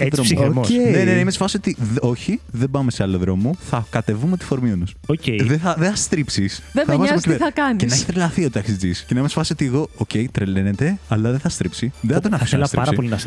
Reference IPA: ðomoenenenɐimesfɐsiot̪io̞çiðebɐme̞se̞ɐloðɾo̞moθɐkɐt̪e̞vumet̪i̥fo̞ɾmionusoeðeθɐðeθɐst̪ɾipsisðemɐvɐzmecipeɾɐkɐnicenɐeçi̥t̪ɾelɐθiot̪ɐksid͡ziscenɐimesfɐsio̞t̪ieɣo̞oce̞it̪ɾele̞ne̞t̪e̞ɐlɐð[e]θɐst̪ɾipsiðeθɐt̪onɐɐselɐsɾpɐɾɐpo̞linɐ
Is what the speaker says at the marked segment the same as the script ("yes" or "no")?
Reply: yes